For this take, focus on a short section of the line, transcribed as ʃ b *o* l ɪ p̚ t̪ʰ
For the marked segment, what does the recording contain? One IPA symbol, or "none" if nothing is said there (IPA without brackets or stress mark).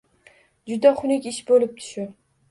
o